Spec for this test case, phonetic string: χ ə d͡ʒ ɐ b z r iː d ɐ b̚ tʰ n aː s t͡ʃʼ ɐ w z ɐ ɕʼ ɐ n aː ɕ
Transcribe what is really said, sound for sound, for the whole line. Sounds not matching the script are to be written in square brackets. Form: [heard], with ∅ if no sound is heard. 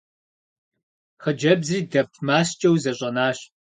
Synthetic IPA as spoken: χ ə d͡ʒ ɐ b z r iː d ɐ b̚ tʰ [m] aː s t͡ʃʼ ɐ w z ɐ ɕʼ ɐ n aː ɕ